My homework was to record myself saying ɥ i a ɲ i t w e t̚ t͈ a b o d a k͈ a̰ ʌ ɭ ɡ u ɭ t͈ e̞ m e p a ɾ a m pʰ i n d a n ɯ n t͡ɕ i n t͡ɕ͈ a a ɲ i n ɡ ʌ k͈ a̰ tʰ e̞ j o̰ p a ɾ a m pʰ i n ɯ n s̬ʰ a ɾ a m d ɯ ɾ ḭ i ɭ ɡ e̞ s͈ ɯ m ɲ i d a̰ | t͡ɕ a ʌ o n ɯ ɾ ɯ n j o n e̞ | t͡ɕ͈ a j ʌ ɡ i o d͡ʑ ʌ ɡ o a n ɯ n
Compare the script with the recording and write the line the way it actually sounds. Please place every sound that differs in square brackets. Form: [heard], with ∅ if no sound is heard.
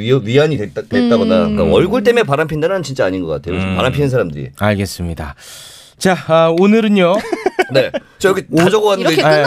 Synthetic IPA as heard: ɥ i a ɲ i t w e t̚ t͈ a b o d a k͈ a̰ ʌ ɭ ɡ u ɭ t͈ e̞ m e p a ɾ a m pʰ i n d a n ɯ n t͡ɕ i n t͡ɕ͈ a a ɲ i n ɡ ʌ k͈ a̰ tʰ e̞ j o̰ p a ɾ a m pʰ i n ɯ n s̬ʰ a ɾ a m d ɯ ɾ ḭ [a] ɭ ɡ e̞ s͈ ɯ m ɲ i d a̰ | t͡ɕ a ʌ o n ɯ ɾ ɯ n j o n e̞ | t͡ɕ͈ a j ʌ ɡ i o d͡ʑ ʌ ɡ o a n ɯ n